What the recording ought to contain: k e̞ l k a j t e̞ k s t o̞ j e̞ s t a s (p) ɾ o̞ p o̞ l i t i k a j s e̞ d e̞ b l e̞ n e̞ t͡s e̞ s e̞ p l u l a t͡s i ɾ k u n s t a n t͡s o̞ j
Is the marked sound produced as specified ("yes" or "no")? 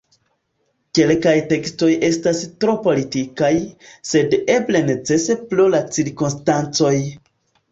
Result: no